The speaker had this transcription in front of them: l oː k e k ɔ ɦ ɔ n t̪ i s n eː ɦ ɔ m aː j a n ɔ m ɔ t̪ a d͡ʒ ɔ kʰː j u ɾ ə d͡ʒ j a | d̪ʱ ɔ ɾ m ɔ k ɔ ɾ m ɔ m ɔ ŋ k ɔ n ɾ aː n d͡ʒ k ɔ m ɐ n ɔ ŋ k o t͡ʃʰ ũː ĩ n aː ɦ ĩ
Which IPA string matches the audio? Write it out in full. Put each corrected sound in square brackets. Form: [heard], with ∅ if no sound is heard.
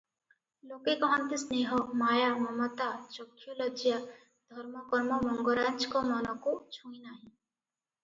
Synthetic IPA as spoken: l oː k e k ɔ ɦ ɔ n t̪ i s n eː ɦ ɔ m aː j a [m] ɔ m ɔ t̪ a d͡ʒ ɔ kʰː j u [l] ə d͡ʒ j a | d̪ʱ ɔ ɾ m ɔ k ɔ ɾ m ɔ m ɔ ŋ [ɡ] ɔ [∅] ɾ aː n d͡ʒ k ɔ m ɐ n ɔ [∅] k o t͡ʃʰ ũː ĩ n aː ɦ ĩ